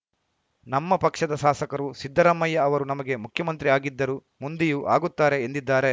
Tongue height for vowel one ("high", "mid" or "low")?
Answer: low